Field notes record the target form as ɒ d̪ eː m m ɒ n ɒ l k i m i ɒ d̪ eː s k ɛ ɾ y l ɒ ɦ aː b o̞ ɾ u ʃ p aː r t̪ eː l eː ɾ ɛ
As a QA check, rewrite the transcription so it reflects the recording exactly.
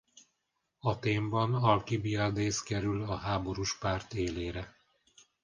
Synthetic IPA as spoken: ɒ t̪ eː m b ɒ n ɒ l k i b i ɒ d̪ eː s k ɛ ɾ y l ɒ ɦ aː b o̞ ɾ u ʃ p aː r t̪ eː l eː ɾ ɛ